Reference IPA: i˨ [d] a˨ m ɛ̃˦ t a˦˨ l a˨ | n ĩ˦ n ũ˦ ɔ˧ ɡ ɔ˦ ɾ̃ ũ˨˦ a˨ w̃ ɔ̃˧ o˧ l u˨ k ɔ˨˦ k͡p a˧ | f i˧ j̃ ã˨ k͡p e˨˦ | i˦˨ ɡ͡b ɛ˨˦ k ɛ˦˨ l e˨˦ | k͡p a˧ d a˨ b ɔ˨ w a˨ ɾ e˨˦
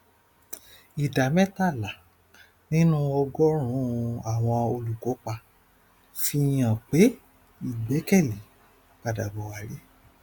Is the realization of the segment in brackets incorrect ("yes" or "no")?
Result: no